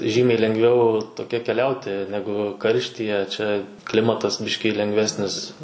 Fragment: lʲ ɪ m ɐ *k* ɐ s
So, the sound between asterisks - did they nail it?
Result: no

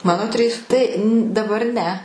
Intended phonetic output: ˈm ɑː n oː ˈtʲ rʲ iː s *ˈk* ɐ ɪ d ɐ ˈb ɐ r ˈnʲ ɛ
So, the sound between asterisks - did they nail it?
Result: no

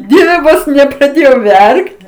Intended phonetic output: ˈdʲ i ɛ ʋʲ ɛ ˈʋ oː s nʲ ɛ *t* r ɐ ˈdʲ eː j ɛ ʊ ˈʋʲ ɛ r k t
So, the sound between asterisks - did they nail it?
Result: no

